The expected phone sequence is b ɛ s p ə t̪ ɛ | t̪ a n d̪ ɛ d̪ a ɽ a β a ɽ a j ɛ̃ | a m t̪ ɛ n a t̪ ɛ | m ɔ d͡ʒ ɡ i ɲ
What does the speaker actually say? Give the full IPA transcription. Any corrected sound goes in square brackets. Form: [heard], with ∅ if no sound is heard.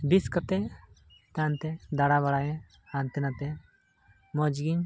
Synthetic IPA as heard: b [i] s [k] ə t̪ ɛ | t̪ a n [t̪] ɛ d̪ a ɽ a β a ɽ a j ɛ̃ | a [n] t̪ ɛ n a t̪ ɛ | m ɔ d͡ʒ ɡ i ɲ